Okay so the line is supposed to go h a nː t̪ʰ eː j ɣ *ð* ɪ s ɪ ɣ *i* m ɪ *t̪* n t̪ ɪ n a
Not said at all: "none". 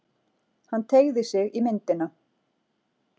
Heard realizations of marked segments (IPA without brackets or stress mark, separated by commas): ð, i, none